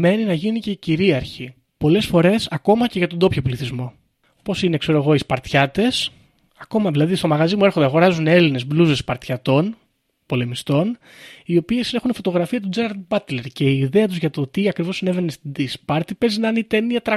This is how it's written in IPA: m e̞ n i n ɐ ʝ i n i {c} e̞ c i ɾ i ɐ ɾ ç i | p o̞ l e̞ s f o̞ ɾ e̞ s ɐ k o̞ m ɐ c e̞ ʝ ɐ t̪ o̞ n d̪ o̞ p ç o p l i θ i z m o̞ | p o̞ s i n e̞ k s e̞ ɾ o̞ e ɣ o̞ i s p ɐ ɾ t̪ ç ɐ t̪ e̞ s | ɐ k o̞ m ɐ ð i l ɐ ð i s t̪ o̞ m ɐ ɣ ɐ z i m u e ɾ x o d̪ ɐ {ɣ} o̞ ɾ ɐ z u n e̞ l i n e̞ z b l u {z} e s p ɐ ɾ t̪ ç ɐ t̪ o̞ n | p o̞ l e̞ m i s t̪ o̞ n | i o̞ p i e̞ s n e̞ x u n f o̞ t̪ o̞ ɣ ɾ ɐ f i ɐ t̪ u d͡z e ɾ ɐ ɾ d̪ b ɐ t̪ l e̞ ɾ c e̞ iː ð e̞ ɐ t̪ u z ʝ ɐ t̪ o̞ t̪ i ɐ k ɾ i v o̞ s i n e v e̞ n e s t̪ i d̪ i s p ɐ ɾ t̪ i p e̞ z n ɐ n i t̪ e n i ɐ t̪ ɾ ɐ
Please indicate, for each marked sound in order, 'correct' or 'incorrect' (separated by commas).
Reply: correct, correct, correct